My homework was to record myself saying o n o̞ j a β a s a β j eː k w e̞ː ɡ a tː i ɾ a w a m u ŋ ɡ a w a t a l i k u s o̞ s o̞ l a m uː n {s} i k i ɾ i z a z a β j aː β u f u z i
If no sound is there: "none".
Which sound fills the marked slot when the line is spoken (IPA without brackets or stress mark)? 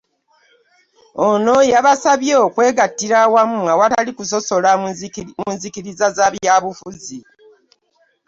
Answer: z